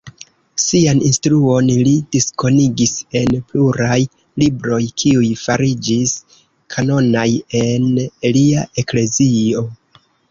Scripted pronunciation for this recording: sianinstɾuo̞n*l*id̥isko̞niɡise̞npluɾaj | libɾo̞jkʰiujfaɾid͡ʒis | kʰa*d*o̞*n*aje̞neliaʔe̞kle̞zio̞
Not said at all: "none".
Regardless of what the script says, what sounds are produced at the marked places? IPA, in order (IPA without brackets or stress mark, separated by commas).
l, n, n